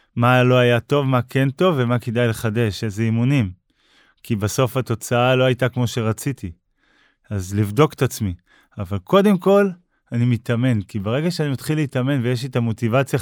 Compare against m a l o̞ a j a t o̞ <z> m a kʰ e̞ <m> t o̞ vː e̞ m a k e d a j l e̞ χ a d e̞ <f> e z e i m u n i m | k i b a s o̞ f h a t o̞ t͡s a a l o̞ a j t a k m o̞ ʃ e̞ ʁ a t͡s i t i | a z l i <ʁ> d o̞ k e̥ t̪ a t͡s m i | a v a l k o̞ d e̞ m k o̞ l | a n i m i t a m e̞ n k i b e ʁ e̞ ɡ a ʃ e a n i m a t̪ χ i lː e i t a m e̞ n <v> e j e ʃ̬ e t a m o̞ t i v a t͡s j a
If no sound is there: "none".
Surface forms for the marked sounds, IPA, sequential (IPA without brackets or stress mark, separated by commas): v, n, ʃ, v, v